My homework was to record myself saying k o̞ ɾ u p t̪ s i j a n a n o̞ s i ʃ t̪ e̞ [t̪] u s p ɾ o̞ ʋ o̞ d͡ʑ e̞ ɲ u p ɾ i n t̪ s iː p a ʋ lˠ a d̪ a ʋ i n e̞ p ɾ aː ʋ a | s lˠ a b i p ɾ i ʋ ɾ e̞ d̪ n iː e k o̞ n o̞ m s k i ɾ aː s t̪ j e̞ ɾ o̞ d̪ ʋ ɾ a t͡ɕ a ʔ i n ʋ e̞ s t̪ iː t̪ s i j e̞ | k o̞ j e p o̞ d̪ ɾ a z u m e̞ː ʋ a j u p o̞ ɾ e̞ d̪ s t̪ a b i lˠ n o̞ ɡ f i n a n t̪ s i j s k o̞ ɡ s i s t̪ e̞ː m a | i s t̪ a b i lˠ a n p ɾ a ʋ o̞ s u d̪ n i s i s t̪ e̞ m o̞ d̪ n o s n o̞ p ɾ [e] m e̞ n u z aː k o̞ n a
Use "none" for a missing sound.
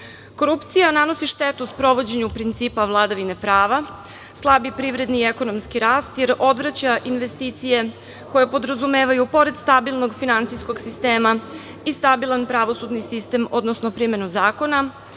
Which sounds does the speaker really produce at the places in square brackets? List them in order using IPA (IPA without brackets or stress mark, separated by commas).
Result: t̪, i